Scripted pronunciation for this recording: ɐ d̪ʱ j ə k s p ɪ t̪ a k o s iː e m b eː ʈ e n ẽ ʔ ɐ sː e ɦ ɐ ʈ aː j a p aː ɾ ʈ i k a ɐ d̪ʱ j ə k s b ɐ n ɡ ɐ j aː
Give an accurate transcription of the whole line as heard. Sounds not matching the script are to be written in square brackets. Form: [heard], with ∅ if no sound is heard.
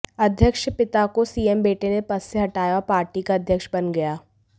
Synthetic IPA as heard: ɐ d̪ʱ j ə k [ʃ] p ɪ t̪ a k o s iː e m b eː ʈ e n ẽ [p] ɐ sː e ɦ ɐ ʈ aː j a p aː ɾ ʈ i k a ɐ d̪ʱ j ə k [ʃ] b ɐ n ɡ ɐ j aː